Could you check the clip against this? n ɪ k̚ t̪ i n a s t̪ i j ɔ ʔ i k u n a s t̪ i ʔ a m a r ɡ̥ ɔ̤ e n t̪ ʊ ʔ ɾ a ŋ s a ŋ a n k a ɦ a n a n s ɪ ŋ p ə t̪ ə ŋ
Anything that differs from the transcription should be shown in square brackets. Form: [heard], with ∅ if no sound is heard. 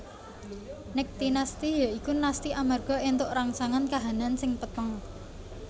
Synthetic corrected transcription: n ɪ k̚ t̪ i n a s t̪ i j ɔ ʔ i k u n a s t̪ i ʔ a m a r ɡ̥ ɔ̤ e n t̪ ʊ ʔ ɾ a ŋ s a ŋ a n k a ɦ a n a n s ɪ ŋ p ə t̪ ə ŋ

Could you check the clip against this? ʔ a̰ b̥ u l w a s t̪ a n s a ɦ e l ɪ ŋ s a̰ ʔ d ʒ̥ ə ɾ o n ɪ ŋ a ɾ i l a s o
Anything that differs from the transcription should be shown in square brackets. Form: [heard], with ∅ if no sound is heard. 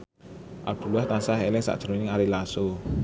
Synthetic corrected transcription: ʔ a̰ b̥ u l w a [h] t̪ a n s a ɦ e l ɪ ŋ s a̰ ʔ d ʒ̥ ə ɾ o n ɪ ŋ a ɾ i l a s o

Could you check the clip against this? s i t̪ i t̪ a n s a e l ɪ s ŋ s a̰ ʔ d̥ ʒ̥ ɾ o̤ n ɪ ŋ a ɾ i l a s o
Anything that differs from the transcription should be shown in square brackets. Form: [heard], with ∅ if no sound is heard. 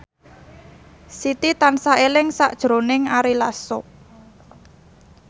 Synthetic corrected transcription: s i t̪ i t̪ a n s a e l ɪ [∅] ŋ s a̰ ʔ d̥ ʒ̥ ɾ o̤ n ɪ ŋ a ɾ i l a s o

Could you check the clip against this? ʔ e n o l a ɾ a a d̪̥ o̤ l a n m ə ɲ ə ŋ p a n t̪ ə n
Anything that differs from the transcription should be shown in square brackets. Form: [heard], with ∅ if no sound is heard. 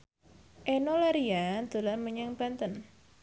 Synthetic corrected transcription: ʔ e n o l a ɾ [i] a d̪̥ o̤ l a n m ə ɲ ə ŋ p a n t̪ ə n

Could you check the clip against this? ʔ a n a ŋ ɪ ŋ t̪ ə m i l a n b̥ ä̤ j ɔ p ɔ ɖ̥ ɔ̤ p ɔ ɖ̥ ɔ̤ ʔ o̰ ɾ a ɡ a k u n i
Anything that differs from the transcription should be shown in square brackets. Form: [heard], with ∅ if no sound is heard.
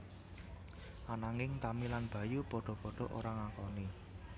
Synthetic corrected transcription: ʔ a n a ŋ ɪ ŋ t̪ [a] m i l a n b̥ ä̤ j [u] p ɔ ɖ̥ ɔ̤ p ɔ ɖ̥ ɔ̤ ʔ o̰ ɾ a [ŋ] a k [ɔ] n i

